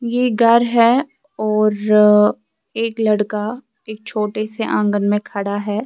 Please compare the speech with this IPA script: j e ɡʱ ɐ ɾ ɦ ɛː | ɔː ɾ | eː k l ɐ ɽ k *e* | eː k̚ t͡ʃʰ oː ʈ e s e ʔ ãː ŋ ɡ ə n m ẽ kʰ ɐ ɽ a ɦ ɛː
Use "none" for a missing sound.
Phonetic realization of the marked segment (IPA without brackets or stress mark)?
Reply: a